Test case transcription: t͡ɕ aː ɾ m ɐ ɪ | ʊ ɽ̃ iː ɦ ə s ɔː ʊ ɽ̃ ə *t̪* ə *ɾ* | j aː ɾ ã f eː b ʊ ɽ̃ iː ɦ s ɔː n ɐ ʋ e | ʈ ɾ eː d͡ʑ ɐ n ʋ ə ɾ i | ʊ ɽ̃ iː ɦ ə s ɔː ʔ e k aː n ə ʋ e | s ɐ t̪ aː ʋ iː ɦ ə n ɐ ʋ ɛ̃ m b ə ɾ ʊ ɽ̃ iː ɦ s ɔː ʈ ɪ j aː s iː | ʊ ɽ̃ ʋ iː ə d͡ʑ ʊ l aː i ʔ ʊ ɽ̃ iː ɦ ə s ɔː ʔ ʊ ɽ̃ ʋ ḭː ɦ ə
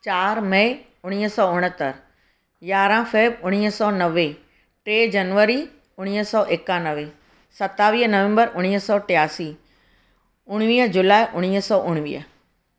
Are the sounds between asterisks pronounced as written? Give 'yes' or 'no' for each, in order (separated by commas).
yes, yes